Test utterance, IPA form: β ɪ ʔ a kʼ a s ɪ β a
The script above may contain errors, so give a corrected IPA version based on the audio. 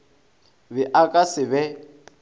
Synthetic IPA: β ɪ ʔ a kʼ a s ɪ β ɛ